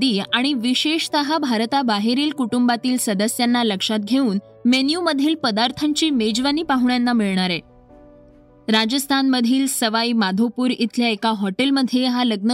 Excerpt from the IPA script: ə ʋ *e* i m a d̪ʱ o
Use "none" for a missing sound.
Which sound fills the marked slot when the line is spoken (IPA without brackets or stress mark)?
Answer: a